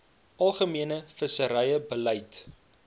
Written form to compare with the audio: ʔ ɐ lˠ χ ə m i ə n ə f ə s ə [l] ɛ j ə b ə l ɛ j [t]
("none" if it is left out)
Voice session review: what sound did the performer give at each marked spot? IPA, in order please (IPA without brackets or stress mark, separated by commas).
ɾ, t